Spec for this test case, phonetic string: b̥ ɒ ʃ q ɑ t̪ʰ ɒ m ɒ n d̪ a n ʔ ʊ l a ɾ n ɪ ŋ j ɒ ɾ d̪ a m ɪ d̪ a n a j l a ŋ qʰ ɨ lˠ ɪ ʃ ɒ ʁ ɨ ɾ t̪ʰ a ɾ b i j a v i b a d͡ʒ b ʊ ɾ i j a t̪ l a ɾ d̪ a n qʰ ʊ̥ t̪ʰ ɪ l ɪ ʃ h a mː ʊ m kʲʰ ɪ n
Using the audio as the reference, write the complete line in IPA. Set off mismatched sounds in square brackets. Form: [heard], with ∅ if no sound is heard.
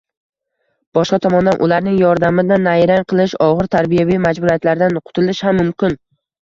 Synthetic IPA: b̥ ɒ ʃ q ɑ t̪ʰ ɒ m ɒ n d̪ a n ʔ ʊ l a ɾ n ɪ ŋ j ɒ ɾ d̪ a m ɪ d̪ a n a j [ɾ] a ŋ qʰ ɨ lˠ ɪ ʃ ɒ ʁ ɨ ɾ t̪ʰ a ɾ b i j a v i [m] a d͡ʒ b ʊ ɾ i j a t̪ l a ɾ d̪ a n qʰ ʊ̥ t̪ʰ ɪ l ɪ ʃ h a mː ʊ m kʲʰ ɪ n